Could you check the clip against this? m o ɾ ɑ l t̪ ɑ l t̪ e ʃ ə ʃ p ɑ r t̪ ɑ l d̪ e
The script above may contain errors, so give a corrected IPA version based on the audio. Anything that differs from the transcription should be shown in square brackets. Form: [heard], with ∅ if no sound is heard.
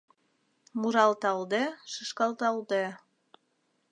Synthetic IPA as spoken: m [u] ɾ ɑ l t̪ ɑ l [d̪] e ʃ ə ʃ [k] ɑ [l] t̪ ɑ l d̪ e